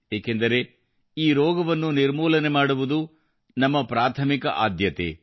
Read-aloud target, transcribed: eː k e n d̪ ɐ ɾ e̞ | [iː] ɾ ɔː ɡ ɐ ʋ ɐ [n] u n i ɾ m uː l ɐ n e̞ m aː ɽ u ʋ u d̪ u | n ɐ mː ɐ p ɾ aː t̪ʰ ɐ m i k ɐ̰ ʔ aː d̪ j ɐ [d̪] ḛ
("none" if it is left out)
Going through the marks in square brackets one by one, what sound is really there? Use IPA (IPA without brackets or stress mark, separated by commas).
iː, nː, t̪